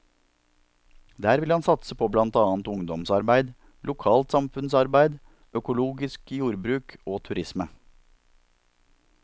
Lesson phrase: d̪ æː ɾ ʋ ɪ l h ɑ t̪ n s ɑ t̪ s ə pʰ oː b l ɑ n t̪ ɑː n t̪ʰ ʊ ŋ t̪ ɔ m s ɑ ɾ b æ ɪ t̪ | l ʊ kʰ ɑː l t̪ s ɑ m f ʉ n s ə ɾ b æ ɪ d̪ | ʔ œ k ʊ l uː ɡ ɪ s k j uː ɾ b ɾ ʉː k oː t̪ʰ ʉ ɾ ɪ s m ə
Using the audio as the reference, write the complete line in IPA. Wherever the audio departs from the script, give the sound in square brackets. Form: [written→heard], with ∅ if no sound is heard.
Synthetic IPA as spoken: d̪ æː ɾ ʋ ɪ l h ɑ [t̪→∅] n s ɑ t̪ s ə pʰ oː b l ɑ n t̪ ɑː n [t̪ʰ→t̪] ʊ ŋ [t̪→d̪] ɔ m s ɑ ɾ b æ ɪ [t̪→d̪] | l ʊ kʰ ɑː l t̪ s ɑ m f ʉ n s [ə→ɑ] ɾ b æ ɪ d̪ | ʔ œ k ʊ l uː ɡ ɪ s k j uː ɾ b ɾ ʉː k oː t̪ʰ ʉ ɾ ɪ s m ə

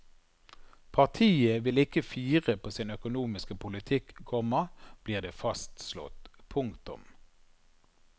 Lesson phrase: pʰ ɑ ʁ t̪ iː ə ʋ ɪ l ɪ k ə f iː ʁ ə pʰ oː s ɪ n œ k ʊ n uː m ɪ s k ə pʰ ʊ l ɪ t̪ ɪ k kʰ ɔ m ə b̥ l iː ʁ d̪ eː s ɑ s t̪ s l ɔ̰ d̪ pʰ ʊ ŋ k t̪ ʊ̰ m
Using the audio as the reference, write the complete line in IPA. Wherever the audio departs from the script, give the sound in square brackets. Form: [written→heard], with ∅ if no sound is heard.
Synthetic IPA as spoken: pʰ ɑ ʁ [t̪→t̪ʰ] iː ə ʋ ɪ l ɪ k ə f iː ʁ ə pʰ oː s ɪ n œ k ʊ n uː m ɪ s k ə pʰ ʊ l ɪ [t̪→t̪ʰ] ɪ k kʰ ɔ m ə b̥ l iː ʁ d̪ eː [s→f] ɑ s t̪ s l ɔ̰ [d̪→t̪] pʰ ʊ ŋ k t̪ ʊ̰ m

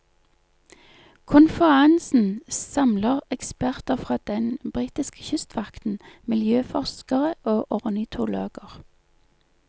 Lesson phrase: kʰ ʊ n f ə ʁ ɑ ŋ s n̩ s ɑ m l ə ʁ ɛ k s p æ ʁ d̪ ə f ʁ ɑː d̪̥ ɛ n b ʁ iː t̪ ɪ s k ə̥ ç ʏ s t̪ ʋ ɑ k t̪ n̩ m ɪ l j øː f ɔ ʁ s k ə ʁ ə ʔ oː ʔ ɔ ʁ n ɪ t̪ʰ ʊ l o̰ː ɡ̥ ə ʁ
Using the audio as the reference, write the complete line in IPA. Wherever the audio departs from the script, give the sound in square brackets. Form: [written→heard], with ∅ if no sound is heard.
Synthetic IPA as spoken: kʰ ʊ n f ə ʁ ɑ [ŋ→n] s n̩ s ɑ m l ə ʁ ɛ k s p æ ʁ [d̪→t̪] ə f ʁ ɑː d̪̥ ɛ n b ʁ iː t̪ ɪ s k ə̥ ç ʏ s t̪ ʋ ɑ k t̪ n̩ m ɪ l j øː f ɔ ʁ s k ə ʁ ə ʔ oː ʔ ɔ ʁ n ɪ t̪ʰ ʊ l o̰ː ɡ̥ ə ʁ

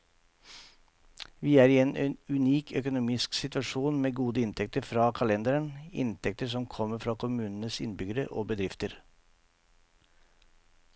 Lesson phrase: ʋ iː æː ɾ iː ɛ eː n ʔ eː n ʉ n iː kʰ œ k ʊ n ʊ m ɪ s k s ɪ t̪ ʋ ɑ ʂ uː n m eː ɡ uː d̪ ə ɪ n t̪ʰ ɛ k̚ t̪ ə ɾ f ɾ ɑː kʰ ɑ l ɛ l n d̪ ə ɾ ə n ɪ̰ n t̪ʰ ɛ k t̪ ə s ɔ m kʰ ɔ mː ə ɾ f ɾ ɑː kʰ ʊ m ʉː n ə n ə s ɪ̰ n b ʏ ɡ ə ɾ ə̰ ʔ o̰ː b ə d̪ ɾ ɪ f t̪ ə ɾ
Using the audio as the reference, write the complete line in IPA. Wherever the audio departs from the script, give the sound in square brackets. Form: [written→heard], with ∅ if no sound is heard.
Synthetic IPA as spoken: ʋ iː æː ɾ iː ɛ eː n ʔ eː n ʉ n iː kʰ œ k ʊ n ʊ m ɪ s k s ɪ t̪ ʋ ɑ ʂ uː n m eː ɡ uː d̪ ə ɪ n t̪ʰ ɛ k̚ t̪ ə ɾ f ɾ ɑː kʰ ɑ l ɛ [l→∅] n d̪ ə ɾ ə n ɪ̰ n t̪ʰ ɛ k t̪ ə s ɔ m kʰ ɔ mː ə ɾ f ɾ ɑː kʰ ʊ m ʉː n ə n ə s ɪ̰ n b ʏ ɡ ə ɾ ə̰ ʔ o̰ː b ə d̪ ɾ ɪ f t̪ ə ɾ

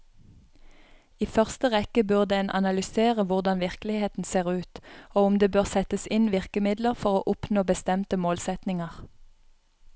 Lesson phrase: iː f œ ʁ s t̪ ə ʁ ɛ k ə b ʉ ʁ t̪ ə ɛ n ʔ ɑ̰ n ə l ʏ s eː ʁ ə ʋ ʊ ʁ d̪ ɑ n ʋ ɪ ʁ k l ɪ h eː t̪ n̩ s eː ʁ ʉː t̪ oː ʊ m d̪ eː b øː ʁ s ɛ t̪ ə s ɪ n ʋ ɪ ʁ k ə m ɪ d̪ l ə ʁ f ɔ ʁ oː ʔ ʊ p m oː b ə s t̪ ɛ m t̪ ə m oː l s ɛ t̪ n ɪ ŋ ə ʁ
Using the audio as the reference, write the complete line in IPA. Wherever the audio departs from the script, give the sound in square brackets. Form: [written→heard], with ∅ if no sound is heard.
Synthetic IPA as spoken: iː f œ ʁ s t̪ ə ʁ ɛ k ə b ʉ ʁ [t̪→d̪] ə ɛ n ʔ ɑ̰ n [ə→ɑ] l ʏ s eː ʁ ə ʋ ʊ ʁ d̪ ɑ n ʋ ɪ ʁ k l ɪ h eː t̪ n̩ s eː ʁ ʉː t̪ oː ʊ m d̪ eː b øː ʁ s ɛ t̪ ə s ɪ n ʋ ɪ ʁ k ə m ɪ d̪ l ə ʁ f ɔ ʁ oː ʔ ʊ p [m→n] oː b ə s t̪ ɛ m t̪ ə m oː l s ɛ t̪ n ɪ ŋ ə ʁ

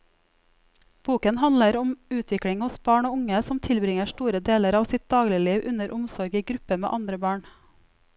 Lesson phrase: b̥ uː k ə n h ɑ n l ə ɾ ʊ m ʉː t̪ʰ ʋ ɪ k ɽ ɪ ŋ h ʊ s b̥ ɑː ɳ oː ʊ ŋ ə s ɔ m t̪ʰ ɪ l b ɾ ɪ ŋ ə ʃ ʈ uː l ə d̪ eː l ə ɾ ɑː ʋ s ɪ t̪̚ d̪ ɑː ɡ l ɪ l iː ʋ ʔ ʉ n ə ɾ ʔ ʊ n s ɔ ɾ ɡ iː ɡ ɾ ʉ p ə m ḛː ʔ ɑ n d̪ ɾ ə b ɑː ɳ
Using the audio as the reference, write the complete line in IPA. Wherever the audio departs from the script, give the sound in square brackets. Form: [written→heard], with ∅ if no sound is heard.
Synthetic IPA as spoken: b̥ uː k ə n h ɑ n l ə ɾ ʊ m ʉː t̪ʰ ʋ ɪ k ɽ ɪ ŋ h ʊ s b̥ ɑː ɳ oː ʊ ŋ ə s ɔ m t̪ʰ ɪ l b ɾ ɪ ŋ ə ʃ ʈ uː [l→ɾ] ə d̪ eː l ə ɾ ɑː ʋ s ɪ t̪̚ d̪ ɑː ɡ l ɪ l iː ʋ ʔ ʉ n ə ɾ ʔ ʊ [n→m] s ɔ ɾ ɡ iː ɡ ɾ ʉ p ə m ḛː ʔ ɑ n d̪ ɾ ə b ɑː ɳ

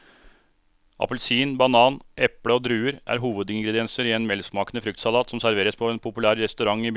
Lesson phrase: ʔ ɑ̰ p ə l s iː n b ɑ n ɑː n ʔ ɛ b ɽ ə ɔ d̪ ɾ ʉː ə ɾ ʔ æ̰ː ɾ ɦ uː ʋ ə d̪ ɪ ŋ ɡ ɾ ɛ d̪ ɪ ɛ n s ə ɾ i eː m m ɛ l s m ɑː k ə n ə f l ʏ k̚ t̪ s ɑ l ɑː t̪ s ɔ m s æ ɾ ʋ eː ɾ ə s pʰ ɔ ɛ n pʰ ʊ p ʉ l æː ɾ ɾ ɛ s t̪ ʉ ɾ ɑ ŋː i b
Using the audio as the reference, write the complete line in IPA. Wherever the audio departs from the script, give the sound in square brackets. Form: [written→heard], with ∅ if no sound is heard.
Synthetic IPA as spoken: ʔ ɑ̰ p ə l s iː n b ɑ n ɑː n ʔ ɛ [b→p] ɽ ə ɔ d̪ ɾ ʉː ə ɾ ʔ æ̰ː ɾ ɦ uː ʋ ə d̪ ɪ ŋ ɡ ɾ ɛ d̪ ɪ ɛ n s ə ɾ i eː [m→n] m ɛ l s m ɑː k ə n ə f [l→ɾ] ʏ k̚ t̪ s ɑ l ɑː t̪ s ɔ m s æ ɾ ʋ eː ɾ ə s pʰ ɔ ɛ n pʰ ʊ p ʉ l æː ɾ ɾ ɛ s t̪ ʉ ɾ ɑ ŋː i b

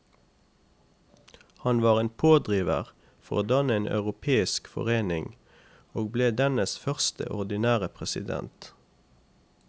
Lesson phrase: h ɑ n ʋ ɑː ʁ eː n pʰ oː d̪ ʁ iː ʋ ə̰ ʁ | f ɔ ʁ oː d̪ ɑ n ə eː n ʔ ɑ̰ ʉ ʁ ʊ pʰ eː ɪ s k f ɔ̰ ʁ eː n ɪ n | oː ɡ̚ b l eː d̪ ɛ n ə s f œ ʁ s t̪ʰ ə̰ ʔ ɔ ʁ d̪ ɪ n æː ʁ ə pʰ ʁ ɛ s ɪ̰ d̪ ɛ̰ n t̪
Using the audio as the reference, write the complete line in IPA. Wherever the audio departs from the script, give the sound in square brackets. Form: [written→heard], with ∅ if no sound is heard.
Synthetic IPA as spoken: h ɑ n ʋ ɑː ʁ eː n pʰ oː d̪ ʁ iː ʋ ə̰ ʁ | f ɔ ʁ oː d̪ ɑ n ə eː n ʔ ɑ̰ ʉ ʁ ʊ pʰ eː ɪ s k f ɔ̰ ʁ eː n ɪ [n→ŋ] | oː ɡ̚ b l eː d̪ ɛ n ə s f œ ʁ s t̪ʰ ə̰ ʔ ɔ ʁ d̪ ɪ n æː ʁ ə pʰ ʁ ɛ s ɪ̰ d̪ ɛ̰ n t̪

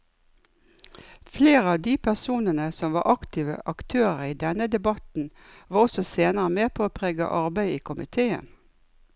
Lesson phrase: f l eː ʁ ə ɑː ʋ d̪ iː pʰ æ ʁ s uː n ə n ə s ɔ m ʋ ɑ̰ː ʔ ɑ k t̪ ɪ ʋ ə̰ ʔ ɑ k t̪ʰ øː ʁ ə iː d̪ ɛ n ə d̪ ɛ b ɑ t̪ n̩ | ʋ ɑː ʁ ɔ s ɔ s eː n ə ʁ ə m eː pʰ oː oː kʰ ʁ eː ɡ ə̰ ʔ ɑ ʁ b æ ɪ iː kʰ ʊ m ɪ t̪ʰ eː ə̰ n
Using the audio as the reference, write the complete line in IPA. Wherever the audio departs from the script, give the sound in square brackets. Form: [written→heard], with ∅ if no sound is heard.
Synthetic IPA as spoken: f l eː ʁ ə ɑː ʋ d̪ iː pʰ æ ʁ s uː n ə n ə s ɔ m ʋ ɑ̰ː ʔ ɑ k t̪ ɪ ʋ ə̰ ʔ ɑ k t̪ʰ øː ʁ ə iː d̪ ɛ n ə d̪ ɛ b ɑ t̪ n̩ | ʋ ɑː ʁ ɔ s ɔ s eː n ə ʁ ə m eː pʰ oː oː [kʰ→pʰ] ʁ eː ɡ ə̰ ʔ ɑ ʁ b æ ɪ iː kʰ ʊ m ɪ t̪ʰ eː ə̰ n

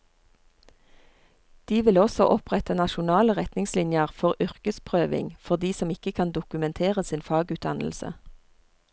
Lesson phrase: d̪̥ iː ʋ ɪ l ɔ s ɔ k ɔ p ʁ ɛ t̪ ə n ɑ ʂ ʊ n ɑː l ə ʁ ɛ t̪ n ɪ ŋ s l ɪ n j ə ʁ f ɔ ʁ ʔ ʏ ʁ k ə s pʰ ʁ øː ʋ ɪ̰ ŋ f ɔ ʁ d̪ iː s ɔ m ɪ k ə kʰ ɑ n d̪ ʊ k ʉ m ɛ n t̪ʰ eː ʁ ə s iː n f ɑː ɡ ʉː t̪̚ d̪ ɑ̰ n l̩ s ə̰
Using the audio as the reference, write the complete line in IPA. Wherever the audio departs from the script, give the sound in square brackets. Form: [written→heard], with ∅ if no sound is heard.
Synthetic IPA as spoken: d̪̥ iː ʋ ɪ l ɔ s ɔ [k→ʔ] ɔ p ʁ ɛ t̪ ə n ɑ [ʂ→ʃ] ʊ n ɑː l ə ʁ ɛ t̪ n ɪ ŋ s l ɪ n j ə ʁ f ɔ ʁ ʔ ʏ ʁ k ə s pʰ ʁ øː ʋ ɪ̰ ŋ f ɔ ʁ d̪ iː s ɔ m ɪ k ə kʰ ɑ n d̪ ʊ k ʉ m ɛ n t̪ʰ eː ʁ ə s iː n f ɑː ɡ ʉː t̪̚ d̪ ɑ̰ n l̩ s ə̰

